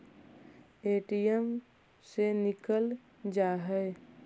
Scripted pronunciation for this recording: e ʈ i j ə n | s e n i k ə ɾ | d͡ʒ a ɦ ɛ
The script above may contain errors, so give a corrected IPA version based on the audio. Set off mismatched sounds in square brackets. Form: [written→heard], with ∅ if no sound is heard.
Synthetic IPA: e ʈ i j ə [n→m] | s e n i k ə [ɾ→l] | d͡ʒ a ɦ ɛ